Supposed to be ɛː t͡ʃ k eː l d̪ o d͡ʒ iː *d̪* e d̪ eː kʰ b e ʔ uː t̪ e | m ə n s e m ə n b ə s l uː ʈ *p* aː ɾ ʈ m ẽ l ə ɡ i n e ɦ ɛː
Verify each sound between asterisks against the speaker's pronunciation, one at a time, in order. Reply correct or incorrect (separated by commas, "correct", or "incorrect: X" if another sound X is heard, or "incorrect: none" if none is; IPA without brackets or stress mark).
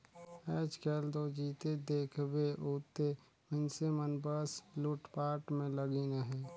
incorrect: t̪, correct